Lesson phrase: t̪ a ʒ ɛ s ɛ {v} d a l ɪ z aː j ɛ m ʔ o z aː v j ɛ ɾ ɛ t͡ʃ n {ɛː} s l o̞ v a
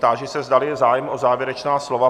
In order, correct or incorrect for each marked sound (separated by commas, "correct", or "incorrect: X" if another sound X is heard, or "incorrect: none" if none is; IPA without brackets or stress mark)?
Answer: incorrect: z, incorrect: aː